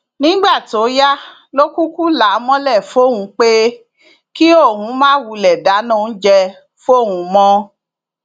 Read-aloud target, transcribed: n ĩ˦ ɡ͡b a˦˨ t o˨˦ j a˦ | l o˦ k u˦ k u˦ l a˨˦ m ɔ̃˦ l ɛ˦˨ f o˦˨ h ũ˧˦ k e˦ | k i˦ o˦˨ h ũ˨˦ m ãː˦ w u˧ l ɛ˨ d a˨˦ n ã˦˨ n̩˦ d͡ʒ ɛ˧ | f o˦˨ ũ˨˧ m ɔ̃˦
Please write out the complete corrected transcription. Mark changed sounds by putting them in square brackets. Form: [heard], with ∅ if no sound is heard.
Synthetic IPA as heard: n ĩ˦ ɡ͡b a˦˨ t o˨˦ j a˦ | l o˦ k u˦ k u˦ l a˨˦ m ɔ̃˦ l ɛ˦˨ f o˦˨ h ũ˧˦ [k͡p] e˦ | k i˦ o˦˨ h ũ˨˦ m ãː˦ w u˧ l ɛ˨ d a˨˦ n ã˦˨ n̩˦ d͡ʒ ɛ˧ | f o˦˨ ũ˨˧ m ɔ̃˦